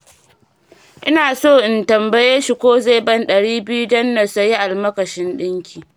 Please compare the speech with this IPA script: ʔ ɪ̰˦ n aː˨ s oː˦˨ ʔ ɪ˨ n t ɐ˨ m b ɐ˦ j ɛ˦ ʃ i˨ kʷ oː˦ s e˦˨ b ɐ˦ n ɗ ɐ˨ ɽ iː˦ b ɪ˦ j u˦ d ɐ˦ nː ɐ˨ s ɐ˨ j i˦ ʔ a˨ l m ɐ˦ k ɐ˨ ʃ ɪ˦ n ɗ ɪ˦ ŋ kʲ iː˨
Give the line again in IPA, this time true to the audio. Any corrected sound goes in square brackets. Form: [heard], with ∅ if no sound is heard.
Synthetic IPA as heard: ʔ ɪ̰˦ n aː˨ s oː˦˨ ʔ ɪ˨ n t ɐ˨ m b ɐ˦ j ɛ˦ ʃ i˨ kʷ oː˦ [z] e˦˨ b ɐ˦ n ɗ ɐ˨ ɽ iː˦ b ɪ˦ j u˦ d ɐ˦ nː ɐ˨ s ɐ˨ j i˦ ʔ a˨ l m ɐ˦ k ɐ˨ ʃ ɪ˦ n ɗ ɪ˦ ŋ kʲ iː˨